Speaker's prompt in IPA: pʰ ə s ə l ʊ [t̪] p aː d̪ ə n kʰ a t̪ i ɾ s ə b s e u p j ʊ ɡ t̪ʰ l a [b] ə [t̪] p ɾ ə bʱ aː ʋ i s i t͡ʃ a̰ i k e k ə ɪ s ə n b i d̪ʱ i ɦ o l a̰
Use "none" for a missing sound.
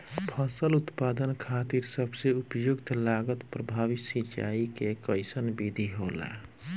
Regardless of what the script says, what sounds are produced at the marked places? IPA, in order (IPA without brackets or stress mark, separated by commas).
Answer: t̪, ɡ, t̪